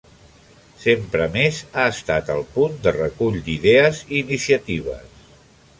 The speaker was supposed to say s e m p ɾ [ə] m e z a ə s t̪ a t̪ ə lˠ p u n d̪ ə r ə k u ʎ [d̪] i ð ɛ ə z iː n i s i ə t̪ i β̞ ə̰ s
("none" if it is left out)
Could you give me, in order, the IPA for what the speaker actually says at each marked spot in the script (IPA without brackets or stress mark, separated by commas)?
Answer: ə, d̪